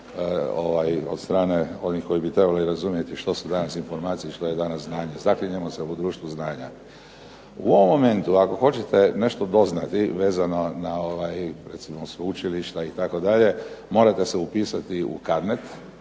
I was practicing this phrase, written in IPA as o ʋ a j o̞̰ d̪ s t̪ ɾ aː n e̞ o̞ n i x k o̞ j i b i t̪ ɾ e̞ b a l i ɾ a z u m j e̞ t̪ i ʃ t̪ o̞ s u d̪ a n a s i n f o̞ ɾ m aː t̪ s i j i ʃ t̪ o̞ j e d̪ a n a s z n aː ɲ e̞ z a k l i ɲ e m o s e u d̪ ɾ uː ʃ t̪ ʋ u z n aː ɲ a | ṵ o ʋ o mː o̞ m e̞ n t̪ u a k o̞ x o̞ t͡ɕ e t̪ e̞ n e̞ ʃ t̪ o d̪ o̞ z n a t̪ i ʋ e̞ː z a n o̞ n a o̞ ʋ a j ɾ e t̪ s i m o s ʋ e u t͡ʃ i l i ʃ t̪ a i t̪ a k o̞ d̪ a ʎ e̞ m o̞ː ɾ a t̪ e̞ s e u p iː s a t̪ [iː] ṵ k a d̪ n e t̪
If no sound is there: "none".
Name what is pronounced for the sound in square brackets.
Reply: i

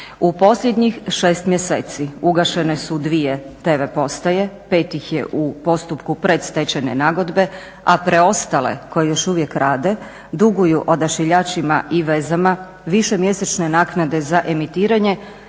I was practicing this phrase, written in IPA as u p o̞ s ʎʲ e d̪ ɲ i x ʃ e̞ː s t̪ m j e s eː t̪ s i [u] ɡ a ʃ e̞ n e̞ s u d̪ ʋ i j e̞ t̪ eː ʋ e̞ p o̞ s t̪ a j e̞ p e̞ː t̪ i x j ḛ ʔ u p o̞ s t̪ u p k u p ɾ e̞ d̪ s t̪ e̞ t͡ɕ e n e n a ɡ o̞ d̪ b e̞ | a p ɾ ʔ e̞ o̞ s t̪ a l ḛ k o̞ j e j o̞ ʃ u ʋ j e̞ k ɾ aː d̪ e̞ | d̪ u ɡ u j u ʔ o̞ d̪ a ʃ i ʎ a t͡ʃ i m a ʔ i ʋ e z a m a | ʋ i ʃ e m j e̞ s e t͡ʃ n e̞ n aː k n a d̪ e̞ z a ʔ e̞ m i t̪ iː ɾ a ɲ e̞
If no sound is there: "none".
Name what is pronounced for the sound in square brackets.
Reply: u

